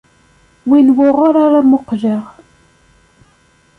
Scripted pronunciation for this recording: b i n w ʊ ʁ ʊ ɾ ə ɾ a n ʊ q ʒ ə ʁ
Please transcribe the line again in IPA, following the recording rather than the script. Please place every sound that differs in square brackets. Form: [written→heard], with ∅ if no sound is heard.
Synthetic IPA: [b→w] i n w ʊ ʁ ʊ ɾ [ə→a] ɾ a [n→m] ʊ q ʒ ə ʁ